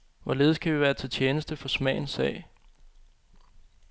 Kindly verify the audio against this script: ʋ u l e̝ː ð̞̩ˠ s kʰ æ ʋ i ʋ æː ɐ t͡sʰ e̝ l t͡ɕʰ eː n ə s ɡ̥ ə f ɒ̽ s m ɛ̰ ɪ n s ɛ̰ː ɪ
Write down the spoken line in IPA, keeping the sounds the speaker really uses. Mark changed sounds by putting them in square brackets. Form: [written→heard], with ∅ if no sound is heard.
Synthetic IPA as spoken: ʋ [u→ɒ] l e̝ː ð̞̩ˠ s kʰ æ ʋ i ʋ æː ɐ t͡sʰ e̝ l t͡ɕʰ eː n ə s [ɡ̥→d̥] ə f ɒ̽ s m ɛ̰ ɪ n s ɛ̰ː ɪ